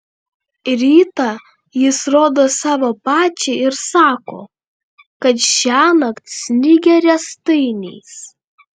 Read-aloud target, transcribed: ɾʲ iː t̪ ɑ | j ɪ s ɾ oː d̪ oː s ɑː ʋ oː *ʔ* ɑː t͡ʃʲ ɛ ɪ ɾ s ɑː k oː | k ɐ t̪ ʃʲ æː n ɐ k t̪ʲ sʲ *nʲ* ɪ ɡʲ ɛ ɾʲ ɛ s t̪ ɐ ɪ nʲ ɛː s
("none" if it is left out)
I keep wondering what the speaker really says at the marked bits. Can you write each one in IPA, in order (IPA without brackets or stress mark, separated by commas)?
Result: p, nʲ